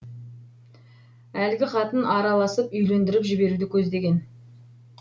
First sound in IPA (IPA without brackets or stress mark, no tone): æ